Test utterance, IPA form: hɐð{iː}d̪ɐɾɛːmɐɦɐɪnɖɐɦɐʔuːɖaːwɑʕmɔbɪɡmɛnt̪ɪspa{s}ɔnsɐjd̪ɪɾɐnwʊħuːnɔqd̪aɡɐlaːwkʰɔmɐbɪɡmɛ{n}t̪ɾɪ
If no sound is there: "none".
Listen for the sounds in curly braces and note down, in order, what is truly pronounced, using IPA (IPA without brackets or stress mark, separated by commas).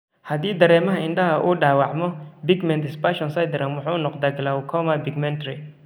iː, ʃ, n